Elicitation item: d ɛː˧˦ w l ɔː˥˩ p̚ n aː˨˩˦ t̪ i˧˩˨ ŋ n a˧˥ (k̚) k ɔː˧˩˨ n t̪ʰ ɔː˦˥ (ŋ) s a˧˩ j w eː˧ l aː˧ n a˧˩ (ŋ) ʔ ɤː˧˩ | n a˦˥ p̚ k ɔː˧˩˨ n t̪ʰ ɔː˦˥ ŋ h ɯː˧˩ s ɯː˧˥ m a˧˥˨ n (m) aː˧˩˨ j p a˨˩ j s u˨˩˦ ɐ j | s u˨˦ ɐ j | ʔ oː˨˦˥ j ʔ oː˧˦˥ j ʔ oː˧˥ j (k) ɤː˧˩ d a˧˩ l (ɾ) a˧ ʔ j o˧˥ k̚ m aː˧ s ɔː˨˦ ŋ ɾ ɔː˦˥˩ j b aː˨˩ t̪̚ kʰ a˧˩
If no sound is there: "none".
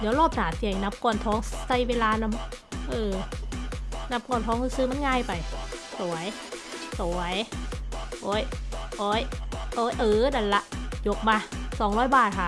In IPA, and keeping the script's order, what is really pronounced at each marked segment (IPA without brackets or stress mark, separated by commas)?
p̚, ŋ, m, ŋ, ʔ, l